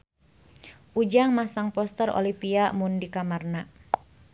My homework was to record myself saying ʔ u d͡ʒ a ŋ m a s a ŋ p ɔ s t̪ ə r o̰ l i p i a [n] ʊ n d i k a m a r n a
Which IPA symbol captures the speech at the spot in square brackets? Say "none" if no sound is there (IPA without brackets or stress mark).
m